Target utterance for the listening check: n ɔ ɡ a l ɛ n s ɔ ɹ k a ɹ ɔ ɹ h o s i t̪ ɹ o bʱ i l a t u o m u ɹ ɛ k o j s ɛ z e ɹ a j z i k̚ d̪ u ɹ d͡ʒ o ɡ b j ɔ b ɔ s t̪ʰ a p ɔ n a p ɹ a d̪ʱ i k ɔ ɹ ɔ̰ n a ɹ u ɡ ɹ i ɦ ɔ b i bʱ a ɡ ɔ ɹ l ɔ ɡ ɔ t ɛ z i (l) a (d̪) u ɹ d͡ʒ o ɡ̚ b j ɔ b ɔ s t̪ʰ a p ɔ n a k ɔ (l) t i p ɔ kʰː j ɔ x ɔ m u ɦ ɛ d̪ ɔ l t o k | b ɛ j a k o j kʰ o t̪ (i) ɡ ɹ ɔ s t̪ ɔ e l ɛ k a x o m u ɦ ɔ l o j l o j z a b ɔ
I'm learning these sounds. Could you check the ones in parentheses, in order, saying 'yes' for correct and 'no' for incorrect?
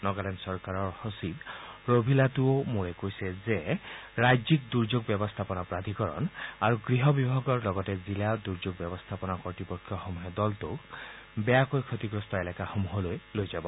yes, yes, no, yes

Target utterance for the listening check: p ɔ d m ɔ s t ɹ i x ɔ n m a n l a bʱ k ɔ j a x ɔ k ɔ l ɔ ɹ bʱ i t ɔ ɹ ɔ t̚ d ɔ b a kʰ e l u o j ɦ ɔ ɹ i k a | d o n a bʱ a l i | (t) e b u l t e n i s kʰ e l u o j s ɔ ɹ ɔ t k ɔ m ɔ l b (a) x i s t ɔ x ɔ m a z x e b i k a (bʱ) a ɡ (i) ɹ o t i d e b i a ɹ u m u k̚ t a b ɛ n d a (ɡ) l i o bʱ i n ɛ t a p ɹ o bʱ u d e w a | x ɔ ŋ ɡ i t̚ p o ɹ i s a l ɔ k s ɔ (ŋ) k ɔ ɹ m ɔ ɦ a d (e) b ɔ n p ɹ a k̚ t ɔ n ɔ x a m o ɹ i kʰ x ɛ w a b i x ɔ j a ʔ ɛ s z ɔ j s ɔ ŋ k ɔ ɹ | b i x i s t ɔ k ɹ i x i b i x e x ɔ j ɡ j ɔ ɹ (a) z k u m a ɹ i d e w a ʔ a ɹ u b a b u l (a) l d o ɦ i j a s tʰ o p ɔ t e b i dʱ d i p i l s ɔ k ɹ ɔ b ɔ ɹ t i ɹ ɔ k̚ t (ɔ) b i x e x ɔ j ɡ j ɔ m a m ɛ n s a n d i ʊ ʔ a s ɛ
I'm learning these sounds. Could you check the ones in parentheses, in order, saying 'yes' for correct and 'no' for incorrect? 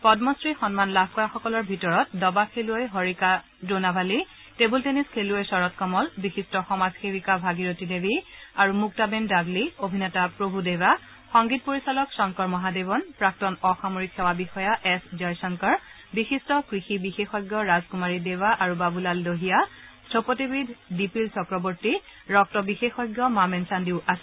yes, no, yes, yes, yes, yes, yes, yes, yes, yes

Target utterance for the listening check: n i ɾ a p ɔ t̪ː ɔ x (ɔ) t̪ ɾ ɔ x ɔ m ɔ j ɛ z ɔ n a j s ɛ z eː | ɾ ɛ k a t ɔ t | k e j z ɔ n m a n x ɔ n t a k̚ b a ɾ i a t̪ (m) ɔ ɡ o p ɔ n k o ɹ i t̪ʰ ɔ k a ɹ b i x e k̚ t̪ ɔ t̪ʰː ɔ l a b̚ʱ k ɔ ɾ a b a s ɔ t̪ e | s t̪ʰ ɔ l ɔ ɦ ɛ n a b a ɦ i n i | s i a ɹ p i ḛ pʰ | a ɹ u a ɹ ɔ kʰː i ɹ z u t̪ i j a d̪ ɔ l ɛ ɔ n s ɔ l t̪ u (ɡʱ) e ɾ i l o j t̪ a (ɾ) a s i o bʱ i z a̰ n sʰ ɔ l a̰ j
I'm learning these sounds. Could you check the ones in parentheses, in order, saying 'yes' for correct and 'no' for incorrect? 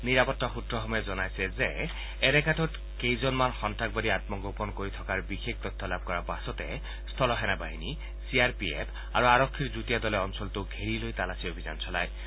no, yes, yes, no

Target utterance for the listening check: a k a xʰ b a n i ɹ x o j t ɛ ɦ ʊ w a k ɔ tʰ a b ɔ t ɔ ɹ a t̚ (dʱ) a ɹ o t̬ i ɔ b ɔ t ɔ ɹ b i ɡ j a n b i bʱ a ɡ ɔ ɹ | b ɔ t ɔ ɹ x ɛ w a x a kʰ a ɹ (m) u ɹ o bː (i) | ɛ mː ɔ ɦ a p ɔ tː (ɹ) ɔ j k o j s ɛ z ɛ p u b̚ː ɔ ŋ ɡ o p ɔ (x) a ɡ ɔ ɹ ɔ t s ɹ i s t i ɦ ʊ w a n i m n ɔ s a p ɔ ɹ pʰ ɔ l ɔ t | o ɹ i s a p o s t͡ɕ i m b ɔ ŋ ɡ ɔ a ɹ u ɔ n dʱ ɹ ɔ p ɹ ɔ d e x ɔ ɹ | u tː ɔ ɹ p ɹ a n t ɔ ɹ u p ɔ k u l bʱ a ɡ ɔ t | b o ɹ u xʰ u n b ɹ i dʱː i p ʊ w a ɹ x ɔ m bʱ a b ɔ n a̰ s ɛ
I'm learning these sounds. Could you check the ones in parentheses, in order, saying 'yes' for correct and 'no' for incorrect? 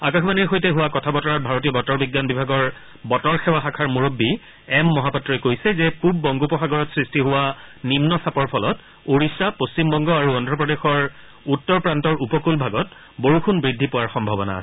no, yes, yes, yes, yes

